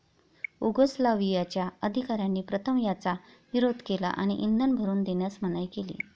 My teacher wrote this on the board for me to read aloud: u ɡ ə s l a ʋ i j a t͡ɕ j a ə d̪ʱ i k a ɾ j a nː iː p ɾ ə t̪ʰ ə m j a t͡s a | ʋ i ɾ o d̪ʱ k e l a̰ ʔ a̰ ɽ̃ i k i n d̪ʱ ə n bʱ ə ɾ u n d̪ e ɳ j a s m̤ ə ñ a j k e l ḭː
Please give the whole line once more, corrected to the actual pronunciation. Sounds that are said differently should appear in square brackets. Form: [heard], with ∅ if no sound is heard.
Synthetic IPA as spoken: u ɡ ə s l a ʋ i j a t͡ɕ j a ə d̪ʱ i k a ɾ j a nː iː p ɾ ə t̪ʰ ə m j a t͡s a | ʋ i ɾ o d̪ʱ k e l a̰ ʔ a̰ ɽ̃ i [ʔ] i n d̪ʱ ə n bʱ ə ɾ [uː] n d̪ e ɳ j a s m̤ ə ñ a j k e l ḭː